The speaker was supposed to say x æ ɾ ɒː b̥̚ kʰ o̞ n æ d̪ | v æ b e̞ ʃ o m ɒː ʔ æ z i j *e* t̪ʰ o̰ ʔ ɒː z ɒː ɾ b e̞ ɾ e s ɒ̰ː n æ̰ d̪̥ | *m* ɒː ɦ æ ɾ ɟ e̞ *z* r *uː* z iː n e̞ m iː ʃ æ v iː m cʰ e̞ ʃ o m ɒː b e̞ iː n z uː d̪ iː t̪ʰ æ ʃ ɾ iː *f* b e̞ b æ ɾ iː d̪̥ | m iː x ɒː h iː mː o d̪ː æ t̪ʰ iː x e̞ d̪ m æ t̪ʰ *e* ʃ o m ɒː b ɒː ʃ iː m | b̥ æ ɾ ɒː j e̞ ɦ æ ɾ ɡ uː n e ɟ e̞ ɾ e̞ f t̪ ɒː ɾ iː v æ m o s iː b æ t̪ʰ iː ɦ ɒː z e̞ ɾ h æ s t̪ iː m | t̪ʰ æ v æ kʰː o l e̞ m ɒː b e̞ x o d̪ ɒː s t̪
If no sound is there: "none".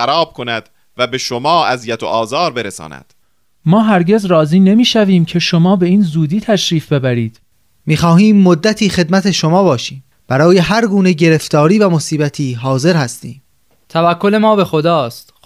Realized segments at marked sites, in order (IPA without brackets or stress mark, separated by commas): æ, m, z, ɒː, f, e